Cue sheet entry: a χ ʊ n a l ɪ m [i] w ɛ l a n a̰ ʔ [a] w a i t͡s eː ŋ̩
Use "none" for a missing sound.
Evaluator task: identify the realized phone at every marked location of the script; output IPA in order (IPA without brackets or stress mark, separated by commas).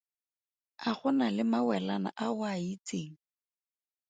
a, a